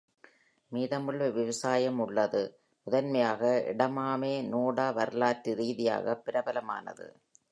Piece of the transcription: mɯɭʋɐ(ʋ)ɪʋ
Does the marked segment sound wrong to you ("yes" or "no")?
no